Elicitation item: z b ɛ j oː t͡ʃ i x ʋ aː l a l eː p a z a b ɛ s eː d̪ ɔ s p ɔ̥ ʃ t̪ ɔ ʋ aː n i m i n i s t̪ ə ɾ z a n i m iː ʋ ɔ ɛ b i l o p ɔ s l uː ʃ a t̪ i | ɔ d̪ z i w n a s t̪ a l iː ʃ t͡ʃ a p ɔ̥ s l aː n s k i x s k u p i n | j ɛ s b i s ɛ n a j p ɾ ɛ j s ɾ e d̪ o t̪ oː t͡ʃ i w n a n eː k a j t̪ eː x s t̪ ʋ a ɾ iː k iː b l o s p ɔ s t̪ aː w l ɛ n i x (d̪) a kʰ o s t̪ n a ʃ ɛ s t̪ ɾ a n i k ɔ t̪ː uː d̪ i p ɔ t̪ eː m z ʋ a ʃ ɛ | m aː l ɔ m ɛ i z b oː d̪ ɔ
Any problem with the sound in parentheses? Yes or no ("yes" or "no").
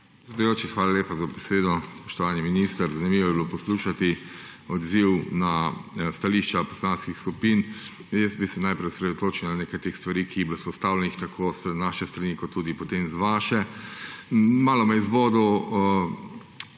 yes